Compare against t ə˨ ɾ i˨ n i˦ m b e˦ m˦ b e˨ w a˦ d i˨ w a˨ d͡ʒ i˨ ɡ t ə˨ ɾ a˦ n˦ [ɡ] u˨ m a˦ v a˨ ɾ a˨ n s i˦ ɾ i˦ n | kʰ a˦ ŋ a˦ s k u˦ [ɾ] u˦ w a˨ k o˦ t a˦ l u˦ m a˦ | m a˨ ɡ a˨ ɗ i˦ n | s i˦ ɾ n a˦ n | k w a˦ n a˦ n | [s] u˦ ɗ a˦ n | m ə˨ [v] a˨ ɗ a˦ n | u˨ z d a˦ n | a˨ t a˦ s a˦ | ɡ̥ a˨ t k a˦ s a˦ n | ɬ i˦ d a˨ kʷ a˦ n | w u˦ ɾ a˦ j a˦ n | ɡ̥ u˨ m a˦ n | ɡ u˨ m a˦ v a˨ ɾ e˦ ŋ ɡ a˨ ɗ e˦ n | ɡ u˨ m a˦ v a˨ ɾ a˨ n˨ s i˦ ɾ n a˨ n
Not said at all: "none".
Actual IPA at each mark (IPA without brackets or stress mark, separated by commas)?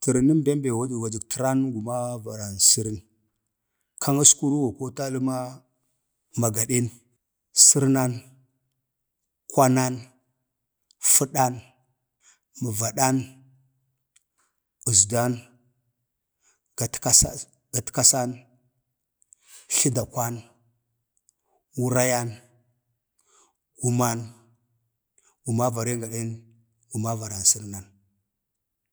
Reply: ɡ, ɾ, f, v